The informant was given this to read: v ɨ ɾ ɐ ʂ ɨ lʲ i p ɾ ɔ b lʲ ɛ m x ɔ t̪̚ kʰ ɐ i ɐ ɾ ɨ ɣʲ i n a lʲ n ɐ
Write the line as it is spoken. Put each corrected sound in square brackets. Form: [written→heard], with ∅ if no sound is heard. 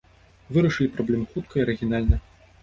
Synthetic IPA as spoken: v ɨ ɾ ɐ ʂ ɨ lʲ i p ɾ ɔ b lʲ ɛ m x [ɔ→u] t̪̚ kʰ ɐ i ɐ ɾ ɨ ɣʲ i n a lʲ n ɐ

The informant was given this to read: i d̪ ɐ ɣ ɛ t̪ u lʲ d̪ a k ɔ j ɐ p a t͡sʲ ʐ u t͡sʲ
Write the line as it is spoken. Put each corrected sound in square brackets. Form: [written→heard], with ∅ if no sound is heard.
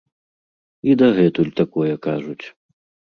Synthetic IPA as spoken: i d̪ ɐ ɣ ɛ t̪ u lʲ [d̪→t̪] a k ɔ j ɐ [p→k] a [t͡sʲ→∅] ʐ u t͡sʲ

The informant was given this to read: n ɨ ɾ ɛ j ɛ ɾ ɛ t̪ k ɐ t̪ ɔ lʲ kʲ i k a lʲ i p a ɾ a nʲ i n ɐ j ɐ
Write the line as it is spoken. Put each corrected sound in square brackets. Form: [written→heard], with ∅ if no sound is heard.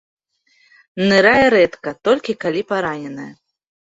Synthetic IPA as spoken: n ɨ ɾ [ɛ→a] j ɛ ɾ ɛ t̪ k ɐ t̪ ɔ lʲ kʲ i k a lʲ i p a ɾ a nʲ [i→ɛ] n ɐ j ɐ

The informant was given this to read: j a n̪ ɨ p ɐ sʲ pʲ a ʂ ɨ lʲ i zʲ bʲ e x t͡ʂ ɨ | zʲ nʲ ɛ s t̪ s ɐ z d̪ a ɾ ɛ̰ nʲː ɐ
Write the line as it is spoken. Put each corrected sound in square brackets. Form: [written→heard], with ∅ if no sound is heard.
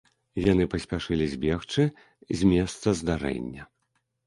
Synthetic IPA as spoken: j a n̪ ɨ p ɐ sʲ pʲ a ʂ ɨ lʲ i zʲ bʲ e x t͡ʂ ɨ | zʲ [nʲ→mʲ] ɛ s t̪ s ɐ z d̪ a ɾ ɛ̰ nʲː ɐ

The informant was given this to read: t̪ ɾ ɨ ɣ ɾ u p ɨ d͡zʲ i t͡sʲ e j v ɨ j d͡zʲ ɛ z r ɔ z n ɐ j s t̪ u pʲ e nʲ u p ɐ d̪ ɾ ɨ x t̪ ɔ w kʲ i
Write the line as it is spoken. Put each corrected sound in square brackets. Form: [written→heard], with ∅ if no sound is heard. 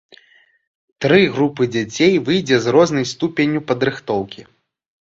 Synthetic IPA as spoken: t̪ ɾ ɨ ɣ ɾ u p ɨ d͡zʲ [i→a] t͡sʲ e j v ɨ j d͡zʲ ɛ z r ɔ z n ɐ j s t̪ u pʲ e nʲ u p ɐ d̪ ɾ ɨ x t̪ ɔ w kʲ i

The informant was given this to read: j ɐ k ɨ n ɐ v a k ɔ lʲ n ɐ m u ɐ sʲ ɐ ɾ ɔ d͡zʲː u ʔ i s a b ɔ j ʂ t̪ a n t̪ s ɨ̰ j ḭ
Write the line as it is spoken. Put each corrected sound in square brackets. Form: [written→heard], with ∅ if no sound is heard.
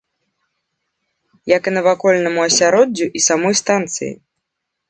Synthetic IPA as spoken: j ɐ k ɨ n ɐ v a k ɔ lʲ n ɐ m u ɐ sʲ [ɐ→a] ɾ ɔ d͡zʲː u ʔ i s a [b→m] ɔ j [ʂ→s] t̪ a n t̪ s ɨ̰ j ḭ

